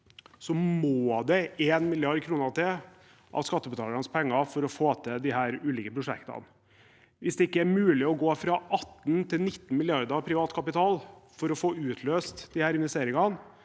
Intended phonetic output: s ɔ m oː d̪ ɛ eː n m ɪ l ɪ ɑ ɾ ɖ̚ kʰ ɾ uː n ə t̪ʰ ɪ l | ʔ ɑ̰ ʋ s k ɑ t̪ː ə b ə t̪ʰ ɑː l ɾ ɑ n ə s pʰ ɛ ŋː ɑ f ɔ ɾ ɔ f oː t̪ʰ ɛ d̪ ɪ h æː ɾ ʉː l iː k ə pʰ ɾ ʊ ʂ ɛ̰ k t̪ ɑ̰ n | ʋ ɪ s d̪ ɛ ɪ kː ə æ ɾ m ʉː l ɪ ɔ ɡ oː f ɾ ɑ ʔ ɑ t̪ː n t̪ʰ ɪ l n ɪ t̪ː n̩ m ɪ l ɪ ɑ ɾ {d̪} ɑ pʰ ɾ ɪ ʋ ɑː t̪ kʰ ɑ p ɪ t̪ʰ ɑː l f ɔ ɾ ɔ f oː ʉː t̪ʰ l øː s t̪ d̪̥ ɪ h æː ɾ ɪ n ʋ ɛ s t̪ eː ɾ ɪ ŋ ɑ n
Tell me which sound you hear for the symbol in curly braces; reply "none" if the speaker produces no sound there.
d̪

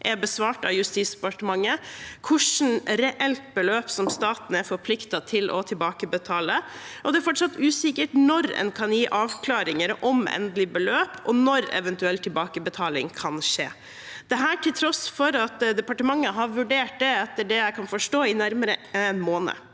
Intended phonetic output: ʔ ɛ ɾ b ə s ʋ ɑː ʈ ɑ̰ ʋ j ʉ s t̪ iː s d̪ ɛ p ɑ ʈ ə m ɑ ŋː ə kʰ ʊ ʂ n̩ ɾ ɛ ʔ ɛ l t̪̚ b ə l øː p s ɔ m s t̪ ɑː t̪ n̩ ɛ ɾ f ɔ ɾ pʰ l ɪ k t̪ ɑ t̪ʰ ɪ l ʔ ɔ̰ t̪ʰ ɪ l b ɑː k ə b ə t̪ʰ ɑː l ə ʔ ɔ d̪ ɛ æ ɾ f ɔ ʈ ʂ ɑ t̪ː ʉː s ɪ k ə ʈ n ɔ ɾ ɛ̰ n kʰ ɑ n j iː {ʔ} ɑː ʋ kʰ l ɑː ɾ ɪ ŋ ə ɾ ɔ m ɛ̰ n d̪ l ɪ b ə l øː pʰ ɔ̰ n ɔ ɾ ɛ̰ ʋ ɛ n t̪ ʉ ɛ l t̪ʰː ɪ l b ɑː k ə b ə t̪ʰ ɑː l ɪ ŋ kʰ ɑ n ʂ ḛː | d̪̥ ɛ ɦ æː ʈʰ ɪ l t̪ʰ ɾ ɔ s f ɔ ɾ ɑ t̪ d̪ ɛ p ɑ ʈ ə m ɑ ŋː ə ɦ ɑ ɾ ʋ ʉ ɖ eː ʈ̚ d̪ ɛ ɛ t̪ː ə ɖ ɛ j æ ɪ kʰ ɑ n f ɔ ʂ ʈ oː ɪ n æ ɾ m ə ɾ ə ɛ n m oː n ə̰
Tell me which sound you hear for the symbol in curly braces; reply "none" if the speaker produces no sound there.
ʔ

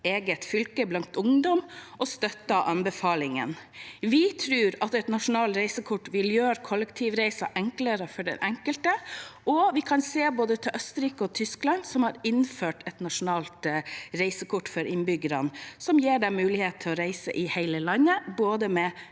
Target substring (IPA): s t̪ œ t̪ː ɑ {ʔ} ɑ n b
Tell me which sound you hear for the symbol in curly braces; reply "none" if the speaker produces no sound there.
ʔ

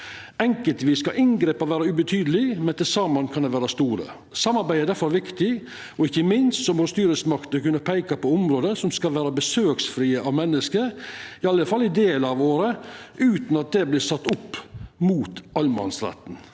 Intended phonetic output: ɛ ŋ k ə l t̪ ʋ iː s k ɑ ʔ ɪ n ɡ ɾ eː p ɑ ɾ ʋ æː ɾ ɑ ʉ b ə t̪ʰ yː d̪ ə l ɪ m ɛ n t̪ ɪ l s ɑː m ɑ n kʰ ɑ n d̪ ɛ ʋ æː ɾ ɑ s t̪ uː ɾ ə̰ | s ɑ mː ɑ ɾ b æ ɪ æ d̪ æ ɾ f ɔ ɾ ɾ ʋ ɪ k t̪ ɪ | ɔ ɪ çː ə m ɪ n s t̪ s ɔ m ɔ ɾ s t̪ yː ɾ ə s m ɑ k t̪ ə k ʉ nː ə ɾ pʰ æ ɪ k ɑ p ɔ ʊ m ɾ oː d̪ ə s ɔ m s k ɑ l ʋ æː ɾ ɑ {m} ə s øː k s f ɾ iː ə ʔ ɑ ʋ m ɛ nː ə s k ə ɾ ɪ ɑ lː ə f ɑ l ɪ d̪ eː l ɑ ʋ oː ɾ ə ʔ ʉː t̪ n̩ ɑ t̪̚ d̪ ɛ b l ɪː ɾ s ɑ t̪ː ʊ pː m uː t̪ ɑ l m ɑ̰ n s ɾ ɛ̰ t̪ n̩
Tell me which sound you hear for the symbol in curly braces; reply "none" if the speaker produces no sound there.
b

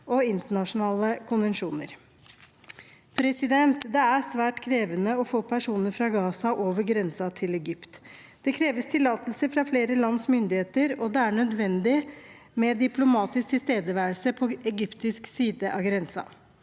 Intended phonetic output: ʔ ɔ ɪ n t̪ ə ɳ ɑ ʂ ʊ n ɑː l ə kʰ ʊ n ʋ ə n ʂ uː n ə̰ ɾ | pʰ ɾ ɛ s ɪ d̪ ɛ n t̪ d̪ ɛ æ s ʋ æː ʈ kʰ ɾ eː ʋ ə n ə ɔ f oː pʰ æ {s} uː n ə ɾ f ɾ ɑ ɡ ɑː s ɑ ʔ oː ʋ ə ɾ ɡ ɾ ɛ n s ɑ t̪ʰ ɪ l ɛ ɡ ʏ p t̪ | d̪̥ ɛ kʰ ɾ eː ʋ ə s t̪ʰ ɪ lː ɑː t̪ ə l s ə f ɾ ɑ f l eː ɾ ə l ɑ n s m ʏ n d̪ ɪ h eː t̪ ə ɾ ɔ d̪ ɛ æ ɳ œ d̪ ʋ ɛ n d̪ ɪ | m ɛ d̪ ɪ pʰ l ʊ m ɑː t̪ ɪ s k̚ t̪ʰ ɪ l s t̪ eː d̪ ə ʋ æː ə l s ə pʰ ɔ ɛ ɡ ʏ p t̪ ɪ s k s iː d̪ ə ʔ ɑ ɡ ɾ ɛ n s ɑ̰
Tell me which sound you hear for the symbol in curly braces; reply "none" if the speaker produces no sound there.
ʂ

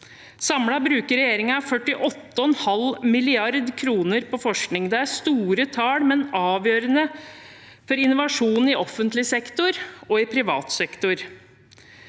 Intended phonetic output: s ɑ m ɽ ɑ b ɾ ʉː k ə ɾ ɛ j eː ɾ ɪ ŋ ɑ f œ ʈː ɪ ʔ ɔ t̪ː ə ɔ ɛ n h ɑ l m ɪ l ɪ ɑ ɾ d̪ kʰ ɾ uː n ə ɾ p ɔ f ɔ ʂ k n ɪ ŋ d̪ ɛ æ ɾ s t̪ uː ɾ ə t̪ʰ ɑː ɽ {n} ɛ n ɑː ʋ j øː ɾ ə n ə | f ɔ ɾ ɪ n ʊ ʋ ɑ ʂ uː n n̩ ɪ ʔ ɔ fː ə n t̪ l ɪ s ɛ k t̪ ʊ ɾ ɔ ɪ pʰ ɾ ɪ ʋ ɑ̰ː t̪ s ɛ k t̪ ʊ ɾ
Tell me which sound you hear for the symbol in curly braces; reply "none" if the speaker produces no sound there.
m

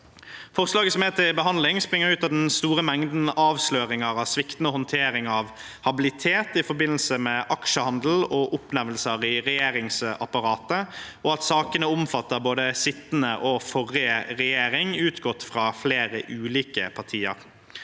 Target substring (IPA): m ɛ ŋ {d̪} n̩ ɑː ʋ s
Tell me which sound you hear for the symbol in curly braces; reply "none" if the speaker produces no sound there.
d̪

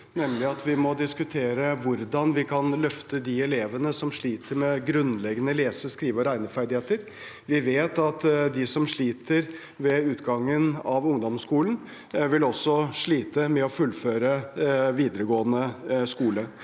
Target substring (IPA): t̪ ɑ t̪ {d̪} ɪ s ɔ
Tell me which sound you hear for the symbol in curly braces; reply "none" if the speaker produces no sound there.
d̪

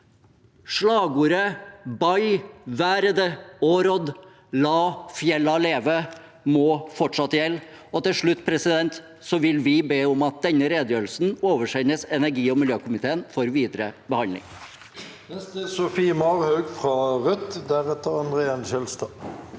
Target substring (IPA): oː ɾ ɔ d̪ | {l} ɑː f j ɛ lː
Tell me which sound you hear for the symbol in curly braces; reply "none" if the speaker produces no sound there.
l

